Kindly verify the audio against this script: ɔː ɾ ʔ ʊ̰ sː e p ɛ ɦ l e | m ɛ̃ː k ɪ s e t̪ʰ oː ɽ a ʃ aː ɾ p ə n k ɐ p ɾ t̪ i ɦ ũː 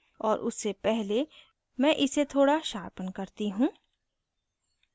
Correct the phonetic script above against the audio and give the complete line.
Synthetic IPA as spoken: ɔː ɾ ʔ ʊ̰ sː e p ɛ ɦ l e | m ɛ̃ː ʔ ɪ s e t̪ʰ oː ɽ a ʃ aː ɾ p ə n k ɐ ɾ t̪ i ɦ ũː